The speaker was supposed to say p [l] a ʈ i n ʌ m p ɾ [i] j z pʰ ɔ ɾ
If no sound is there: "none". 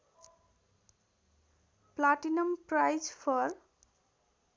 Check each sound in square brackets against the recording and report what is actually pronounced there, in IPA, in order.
l, a

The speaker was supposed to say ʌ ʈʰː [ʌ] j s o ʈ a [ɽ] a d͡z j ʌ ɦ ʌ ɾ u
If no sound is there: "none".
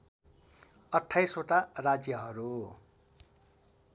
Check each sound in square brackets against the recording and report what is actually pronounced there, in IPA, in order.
a, r

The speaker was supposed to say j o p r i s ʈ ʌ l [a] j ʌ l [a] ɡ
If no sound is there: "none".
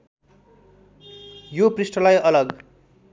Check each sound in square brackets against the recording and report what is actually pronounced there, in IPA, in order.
a, ʌ

